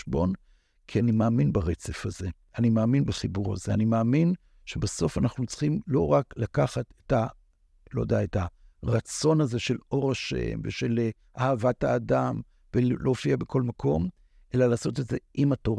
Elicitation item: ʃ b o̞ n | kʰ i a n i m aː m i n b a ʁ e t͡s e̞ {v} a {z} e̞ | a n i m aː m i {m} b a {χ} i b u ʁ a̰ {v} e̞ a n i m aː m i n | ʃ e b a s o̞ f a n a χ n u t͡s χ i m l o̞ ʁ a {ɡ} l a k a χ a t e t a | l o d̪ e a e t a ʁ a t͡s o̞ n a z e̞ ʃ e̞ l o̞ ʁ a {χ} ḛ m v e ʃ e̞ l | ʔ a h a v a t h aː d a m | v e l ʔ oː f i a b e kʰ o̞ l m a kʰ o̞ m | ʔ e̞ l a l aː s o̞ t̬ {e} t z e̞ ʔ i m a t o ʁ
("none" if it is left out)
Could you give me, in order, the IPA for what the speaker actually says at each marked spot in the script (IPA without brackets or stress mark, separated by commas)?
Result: f, z, n, χ, z, k, ʃ, e